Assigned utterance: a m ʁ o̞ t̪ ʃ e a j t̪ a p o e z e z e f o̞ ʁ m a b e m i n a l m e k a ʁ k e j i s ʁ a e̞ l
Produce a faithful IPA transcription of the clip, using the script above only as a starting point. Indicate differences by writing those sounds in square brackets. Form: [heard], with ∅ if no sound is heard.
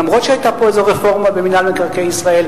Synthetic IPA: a m ʁ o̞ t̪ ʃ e a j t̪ a p o e z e [ʁ] e f o̞ ʁ m a b e m i n a l m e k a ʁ k e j i s ʁ a e̞ l